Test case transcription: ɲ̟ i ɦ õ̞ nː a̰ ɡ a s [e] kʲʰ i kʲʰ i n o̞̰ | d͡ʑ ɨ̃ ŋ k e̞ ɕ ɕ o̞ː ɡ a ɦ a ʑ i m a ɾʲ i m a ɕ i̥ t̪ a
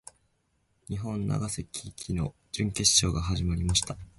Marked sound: correct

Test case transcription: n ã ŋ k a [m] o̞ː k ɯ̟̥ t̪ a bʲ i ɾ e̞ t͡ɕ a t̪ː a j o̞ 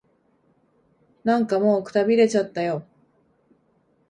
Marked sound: correct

